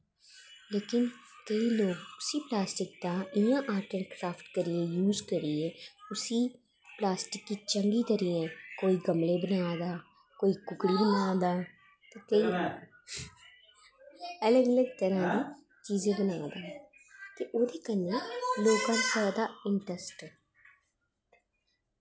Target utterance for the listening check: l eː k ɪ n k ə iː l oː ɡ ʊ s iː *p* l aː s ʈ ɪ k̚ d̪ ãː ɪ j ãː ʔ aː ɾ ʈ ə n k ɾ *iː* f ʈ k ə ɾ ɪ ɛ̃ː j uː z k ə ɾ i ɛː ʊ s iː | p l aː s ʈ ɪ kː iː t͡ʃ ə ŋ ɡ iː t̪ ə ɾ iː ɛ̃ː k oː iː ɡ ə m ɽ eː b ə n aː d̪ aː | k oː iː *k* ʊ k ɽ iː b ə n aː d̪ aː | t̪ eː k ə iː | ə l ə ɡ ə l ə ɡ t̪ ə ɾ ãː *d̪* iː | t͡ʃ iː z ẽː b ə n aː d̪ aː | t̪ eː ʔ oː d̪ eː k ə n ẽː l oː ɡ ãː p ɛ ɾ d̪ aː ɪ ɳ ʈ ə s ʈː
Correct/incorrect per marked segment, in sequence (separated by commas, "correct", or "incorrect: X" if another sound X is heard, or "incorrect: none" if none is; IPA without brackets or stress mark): correct, incorrect: aː, correct, correct